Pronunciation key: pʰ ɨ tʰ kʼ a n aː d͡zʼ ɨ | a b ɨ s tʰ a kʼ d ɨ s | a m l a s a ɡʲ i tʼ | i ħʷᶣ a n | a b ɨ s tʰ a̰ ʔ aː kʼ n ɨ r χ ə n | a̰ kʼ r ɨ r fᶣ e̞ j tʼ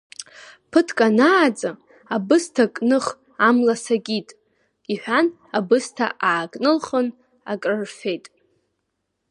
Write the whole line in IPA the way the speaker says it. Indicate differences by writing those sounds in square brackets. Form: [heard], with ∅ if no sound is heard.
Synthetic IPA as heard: pʰ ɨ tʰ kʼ a n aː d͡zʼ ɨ | a b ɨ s tʰ a kʼ [n] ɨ [χ] | a m l a s a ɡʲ i tʼ | i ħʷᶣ a n | a b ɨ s tʰ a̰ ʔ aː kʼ n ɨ [l] χ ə n | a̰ kʼ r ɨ r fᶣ e̞ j tʼ